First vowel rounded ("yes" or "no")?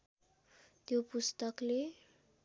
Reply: yes